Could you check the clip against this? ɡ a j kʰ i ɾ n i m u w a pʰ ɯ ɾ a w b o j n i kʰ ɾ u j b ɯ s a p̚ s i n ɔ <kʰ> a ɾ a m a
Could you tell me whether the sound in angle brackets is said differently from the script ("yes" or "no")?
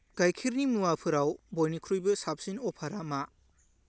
yes